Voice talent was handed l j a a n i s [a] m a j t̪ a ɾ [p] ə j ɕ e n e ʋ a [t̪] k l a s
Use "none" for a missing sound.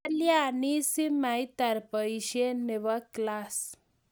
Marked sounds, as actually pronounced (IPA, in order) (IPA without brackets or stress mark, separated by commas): i, p, none